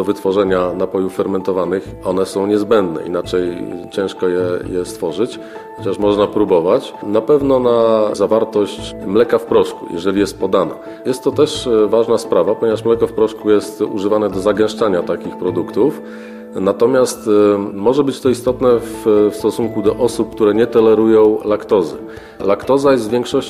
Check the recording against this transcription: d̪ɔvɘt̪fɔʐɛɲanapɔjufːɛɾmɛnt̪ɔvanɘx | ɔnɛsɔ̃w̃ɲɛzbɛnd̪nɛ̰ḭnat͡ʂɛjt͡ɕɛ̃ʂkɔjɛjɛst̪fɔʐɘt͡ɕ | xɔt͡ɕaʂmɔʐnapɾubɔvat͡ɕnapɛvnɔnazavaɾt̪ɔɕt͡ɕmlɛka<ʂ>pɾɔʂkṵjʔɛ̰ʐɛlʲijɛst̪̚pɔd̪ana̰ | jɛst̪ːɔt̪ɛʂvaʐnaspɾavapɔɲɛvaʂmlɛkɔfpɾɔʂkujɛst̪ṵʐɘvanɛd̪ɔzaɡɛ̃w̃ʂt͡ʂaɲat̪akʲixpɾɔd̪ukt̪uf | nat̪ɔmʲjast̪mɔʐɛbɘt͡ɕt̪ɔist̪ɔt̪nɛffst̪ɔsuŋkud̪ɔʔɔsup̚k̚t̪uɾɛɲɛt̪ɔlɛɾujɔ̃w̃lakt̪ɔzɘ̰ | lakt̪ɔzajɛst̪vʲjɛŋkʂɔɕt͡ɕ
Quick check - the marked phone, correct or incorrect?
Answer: incorrect